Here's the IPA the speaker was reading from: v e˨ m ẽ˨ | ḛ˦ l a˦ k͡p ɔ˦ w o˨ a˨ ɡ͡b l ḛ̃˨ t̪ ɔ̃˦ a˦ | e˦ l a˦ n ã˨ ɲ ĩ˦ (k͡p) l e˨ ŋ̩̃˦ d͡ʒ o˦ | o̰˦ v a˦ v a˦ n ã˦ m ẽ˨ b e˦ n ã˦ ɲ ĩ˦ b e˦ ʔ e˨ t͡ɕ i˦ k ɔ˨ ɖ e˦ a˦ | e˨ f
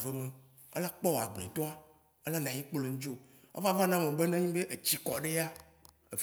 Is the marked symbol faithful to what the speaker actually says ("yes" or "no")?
yes